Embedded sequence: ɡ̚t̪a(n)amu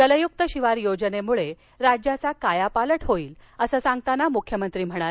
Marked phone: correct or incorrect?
correct